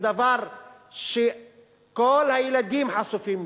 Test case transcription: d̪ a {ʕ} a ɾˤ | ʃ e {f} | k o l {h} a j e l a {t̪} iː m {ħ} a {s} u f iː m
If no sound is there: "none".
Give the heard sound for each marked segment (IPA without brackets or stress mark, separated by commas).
v, none, h, d̪, ħ, s